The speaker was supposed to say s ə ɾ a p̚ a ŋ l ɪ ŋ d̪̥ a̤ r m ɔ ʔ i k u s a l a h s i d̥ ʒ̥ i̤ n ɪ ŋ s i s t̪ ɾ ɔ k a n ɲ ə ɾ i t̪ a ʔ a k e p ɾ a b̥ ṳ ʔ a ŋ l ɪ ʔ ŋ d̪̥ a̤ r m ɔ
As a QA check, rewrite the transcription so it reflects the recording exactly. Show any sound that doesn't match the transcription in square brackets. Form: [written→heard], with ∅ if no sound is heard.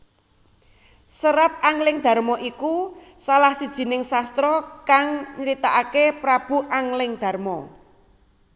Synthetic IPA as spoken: s ə ɾ a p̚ a ŋ l ɪ ŋ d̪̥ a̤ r m ɔ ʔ i k u s a l a h s i d̥ ʒ̥ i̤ n ɪ ŋ s [i→a] s t̪ ɾ ɔ k a [n→ŋ] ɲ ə ɾ i t̪ a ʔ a k e p ɾ a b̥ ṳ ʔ a ŋ l ɪ [ʔ→∅] ŋ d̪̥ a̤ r m ɔ